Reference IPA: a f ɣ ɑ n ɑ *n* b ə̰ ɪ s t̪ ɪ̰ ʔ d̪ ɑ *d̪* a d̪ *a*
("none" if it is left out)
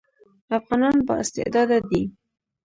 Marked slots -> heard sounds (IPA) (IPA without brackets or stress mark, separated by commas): n, d̪, i